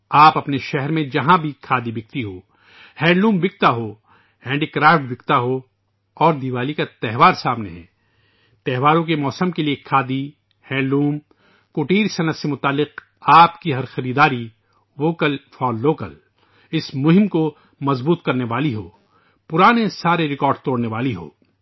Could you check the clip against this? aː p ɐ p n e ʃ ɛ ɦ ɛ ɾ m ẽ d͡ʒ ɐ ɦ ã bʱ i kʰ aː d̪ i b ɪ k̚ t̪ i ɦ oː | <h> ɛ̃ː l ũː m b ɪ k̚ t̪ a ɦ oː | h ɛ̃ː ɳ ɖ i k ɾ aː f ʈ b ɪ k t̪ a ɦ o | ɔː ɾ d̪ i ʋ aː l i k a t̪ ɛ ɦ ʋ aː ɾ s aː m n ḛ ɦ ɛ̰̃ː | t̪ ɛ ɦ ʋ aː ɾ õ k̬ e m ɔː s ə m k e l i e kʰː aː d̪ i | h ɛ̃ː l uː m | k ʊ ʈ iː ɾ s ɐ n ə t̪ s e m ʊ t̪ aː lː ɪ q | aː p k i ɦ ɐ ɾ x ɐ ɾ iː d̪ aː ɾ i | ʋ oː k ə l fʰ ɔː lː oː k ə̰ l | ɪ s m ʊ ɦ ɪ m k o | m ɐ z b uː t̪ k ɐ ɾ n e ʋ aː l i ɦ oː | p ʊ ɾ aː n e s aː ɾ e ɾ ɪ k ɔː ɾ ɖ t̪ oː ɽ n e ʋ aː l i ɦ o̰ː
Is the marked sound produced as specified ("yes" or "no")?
yes